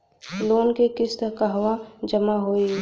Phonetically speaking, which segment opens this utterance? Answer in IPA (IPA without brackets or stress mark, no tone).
l